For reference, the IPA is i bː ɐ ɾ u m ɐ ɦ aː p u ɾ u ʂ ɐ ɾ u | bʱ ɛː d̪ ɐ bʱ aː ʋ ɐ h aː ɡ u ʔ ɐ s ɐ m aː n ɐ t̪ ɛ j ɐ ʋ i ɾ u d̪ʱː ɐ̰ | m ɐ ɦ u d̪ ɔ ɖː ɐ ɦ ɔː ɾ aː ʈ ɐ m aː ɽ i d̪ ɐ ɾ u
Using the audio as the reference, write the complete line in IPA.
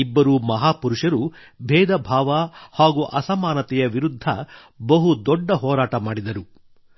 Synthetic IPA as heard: i bː ɐ ɾ u m ɐ ɦ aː p u ɾ u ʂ ɐ ɾ u | bʱ ɛː d̪ ɐ bʱ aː ʋ ɐ h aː ɡ u ʔ ɐ s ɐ m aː n ɐ t̪ ɛ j ɐ ʋ i ɾ u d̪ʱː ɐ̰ | b ɐ ɦ u d̪ ɔ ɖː ɐ ɦ ɔː ɾ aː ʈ ɐ m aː ɽ i d̪ ɐ ɾ u

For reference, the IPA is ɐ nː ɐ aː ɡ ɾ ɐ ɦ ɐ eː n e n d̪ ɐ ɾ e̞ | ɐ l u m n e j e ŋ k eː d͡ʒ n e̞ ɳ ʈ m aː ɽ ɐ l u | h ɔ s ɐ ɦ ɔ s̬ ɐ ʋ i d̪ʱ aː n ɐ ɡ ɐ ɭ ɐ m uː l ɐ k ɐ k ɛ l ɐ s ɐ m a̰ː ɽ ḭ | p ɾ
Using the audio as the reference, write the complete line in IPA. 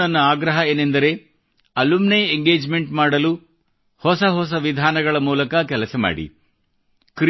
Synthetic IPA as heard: ɐ nː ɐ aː ɡ ɾ ɐ ɦ ɐ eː n e n d̪ ɐ ɾ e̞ | ɐ l u m n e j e ŋ ɡ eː d͡ʒ m e̞ ɳ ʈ m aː ɽ ɐ l u | h ɔ s ɐ ɦ ɔ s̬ ɐ ʋ i d̪ʱ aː n ɐ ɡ ɐ ɭ ɐ m uː l ɐ k ɐ k ɛ l ɐ s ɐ m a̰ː ɽ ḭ | k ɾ

